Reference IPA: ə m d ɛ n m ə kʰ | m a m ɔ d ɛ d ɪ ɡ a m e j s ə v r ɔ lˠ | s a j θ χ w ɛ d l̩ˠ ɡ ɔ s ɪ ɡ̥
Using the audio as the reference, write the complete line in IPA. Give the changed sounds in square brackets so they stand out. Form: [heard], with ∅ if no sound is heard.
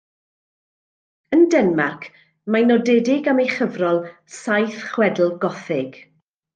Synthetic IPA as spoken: ə [n] d ɛ n m [a] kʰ | m a [n] ɔ d ɛ d ɪ ɡ a m e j [χ] ə v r ɔ lˠ | s a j θ χ w ɛ d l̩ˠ ɡ ɔ [θ] ɪ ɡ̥